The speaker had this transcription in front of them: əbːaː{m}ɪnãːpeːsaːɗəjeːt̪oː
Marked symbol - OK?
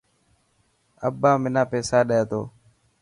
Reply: yes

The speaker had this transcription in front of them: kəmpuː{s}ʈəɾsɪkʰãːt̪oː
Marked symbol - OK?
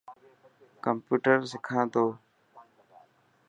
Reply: no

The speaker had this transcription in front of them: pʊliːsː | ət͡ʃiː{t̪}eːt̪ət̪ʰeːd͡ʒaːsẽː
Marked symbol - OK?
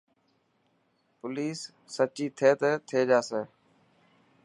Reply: no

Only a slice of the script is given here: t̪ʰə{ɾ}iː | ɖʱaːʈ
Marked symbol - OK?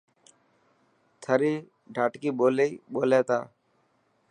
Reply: yes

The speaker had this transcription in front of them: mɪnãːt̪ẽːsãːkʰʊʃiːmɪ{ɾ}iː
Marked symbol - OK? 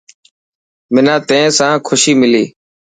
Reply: no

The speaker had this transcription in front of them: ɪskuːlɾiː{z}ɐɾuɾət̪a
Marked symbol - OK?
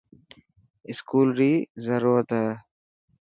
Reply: yes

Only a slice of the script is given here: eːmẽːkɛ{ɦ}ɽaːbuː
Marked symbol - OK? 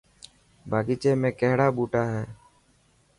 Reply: yes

